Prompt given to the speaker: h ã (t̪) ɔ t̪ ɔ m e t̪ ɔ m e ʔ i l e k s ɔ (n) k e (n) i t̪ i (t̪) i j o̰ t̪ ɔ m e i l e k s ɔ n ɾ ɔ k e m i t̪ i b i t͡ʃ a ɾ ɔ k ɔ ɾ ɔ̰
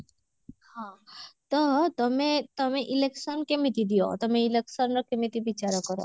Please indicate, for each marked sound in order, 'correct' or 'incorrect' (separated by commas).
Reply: correct, correct, incorrect, incorrect